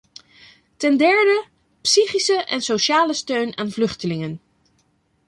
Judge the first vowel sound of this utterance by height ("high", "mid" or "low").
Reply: mid